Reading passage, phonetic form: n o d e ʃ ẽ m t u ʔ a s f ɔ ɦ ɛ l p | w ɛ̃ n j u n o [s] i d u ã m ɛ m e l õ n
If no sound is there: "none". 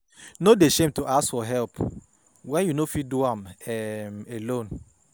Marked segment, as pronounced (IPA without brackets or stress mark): f